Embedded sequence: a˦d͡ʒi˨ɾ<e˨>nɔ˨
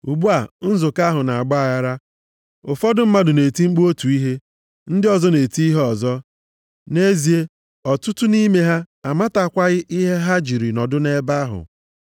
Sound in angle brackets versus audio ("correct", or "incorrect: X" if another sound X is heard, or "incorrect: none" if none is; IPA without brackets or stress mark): incorrect: i˨